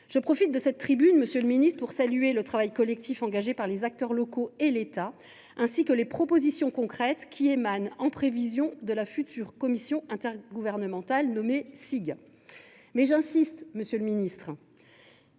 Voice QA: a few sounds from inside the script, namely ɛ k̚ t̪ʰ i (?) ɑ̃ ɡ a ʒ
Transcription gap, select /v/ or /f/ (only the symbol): f